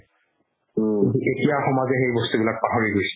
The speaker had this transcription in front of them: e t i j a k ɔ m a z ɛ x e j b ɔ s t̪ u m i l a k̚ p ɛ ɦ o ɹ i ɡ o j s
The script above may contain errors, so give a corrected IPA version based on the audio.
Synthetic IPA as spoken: e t i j a x ɔ m a z ɛ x e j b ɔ s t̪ u b i l a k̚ p a ɦ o ɹ i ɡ o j s